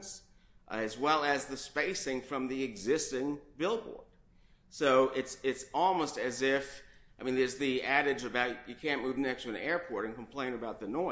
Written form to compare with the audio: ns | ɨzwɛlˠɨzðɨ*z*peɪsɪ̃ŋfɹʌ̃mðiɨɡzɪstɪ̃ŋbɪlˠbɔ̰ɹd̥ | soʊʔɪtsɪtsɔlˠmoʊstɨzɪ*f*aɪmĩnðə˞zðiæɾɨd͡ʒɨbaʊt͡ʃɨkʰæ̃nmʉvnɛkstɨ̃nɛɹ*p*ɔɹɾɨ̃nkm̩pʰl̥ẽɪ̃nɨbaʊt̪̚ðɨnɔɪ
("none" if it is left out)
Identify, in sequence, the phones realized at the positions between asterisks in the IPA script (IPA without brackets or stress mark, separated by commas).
s, f, pʰ